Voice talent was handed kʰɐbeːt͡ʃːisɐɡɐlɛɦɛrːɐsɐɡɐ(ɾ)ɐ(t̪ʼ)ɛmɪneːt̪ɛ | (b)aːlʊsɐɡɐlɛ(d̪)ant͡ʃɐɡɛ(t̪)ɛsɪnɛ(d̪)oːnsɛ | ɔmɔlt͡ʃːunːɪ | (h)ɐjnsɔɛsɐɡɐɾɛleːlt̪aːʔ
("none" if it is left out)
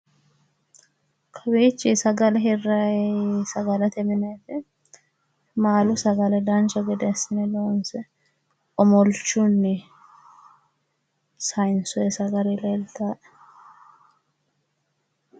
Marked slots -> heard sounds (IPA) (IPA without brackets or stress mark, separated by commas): l, t̪, m, d̪, d̪, d̪, s